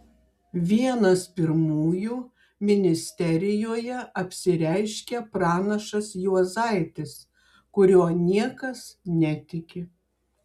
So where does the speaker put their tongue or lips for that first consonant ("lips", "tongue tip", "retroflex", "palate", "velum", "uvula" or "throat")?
lips